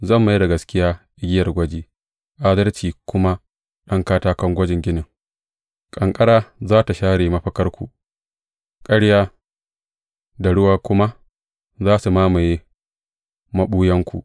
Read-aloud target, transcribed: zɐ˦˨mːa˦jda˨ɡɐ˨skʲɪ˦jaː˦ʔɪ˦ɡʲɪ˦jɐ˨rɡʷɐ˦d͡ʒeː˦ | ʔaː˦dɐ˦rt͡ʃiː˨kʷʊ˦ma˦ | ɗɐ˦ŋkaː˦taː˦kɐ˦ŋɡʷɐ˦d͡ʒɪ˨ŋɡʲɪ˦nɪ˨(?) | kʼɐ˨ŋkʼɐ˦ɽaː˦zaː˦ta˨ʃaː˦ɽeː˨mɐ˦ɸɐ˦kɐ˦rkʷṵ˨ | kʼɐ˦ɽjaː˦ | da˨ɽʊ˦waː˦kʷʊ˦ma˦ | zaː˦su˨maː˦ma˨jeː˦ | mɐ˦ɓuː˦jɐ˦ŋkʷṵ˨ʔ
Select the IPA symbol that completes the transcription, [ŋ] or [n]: ŋ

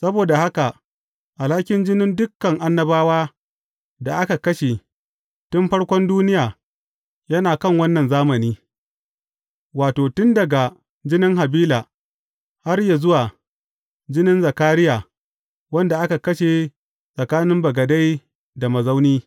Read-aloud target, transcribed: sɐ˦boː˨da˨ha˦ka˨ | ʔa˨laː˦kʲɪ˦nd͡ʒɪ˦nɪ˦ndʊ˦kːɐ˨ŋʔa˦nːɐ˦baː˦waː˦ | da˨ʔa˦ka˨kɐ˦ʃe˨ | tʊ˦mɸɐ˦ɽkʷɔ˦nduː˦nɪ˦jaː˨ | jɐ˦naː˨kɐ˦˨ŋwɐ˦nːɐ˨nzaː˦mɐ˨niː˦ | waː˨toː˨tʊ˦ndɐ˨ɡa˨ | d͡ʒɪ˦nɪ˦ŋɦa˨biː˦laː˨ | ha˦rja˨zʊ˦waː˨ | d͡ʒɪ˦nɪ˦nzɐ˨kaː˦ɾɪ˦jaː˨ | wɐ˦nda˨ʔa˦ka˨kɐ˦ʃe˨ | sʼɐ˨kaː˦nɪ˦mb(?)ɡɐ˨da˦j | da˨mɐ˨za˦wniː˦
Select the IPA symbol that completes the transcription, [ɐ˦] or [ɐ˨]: ɐ˨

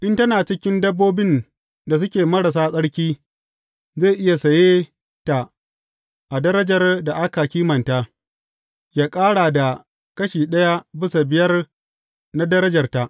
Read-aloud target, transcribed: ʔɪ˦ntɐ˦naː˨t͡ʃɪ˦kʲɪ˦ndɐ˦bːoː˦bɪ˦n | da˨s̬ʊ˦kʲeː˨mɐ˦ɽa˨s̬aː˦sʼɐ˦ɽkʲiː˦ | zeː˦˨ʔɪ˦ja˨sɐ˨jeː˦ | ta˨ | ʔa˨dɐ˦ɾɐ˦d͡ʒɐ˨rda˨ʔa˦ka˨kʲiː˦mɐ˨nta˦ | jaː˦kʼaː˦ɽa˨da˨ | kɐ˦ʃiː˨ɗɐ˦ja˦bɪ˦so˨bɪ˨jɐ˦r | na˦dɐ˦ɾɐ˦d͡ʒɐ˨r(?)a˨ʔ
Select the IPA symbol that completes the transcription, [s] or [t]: t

